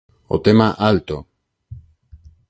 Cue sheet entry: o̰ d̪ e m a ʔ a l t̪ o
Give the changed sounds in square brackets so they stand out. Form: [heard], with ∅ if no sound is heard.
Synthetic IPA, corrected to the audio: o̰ [t̪] e m a ʔ a l t̪ o